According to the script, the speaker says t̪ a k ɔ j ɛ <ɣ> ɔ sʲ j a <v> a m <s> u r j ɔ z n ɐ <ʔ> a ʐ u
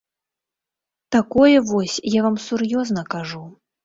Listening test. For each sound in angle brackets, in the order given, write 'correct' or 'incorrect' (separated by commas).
incorrect, correct, correct, incorrect